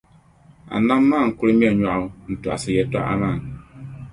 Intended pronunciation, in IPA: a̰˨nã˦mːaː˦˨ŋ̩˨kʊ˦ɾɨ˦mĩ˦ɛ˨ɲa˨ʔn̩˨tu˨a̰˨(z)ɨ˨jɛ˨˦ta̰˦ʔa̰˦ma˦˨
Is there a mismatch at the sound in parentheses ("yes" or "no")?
yes